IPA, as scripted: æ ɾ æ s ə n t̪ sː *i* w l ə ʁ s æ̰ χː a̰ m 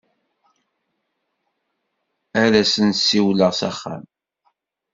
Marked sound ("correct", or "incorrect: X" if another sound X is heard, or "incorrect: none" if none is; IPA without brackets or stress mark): correct